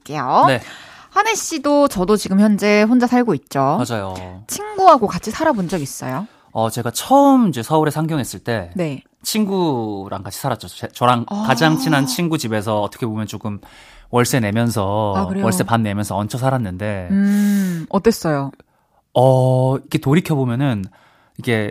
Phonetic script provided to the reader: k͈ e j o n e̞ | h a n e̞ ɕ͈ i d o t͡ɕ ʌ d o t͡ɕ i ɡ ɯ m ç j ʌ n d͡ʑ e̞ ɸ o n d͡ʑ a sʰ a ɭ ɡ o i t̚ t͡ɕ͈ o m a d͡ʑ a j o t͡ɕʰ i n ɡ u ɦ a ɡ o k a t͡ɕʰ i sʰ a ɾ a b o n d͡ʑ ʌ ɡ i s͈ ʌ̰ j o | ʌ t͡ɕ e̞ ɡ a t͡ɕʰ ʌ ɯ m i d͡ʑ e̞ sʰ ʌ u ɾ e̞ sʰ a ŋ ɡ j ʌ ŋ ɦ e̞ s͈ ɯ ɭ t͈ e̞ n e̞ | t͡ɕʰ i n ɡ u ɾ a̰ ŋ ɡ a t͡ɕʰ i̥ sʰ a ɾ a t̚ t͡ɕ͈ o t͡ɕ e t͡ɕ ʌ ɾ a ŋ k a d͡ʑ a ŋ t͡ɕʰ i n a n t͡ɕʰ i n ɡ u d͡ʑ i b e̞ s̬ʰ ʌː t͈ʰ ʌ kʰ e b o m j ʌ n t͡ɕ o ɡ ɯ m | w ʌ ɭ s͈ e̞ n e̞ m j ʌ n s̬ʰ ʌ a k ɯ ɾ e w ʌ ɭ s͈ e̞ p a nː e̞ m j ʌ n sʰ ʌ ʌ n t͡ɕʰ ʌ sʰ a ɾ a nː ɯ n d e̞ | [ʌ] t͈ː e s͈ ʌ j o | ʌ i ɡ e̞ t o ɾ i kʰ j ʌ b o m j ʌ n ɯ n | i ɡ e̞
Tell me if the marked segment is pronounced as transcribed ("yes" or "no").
yes